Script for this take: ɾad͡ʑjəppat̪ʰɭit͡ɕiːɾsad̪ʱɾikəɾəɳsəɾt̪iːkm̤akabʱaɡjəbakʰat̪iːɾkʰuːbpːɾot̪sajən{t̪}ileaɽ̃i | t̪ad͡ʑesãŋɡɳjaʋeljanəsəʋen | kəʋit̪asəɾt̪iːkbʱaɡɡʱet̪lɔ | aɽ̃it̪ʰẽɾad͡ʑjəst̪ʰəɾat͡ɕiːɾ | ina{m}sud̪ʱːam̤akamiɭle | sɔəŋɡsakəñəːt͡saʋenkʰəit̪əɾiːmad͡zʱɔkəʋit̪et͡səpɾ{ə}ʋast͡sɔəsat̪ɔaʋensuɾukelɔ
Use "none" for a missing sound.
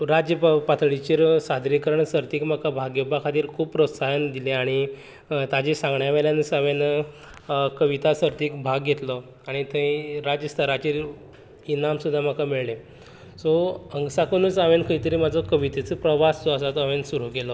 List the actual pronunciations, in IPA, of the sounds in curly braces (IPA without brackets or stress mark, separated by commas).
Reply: d̪, m, ə